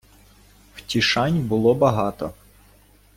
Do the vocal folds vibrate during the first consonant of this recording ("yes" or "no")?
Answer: yes